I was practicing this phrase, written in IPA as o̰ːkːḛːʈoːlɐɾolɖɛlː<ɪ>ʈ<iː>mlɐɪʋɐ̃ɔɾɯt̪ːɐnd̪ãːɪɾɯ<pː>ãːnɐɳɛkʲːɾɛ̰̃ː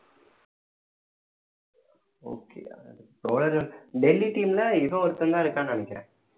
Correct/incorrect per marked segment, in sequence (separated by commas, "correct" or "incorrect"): incorrect, correct, incorrect